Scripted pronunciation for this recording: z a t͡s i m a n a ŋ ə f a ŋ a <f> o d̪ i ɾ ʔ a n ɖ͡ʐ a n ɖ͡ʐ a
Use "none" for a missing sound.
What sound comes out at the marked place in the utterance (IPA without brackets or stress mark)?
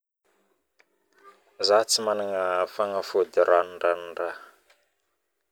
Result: f